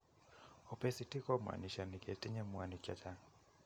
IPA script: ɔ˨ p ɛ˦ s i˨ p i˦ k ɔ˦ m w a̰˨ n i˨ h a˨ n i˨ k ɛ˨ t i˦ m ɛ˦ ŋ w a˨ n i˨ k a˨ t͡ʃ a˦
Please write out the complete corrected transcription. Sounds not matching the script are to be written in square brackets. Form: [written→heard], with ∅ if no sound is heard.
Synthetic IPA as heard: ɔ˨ p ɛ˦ s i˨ [p→t] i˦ k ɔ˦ m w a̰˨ n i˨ [h→ʃ] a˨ n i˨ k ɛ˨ t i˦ [m→ɲ] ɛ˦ [ŋ→m] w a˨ n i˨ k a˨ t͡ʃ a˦